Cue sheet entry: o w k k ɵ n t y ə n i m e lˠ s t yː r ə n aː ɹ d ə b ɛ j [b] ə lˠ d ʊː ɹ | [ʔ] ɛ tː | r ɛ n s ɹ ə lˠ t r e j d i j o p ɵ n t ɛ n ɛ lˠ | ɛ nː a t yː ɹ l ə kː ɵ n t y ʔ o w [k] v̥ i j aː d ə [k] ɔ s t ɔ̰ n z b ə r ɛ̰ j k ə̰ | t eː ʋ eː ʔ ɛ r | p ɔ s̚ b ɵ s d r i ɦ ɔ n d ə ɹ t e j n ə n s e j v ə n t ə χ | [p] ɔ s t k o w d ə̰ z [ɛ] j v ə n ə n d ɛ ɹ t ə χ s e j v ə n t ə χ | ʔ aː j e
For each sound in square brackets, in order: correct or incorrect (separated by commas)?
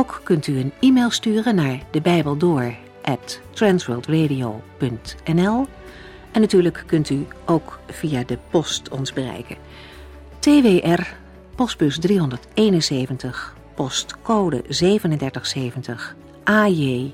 correct, correct, correct, incorrect, correct, incorrect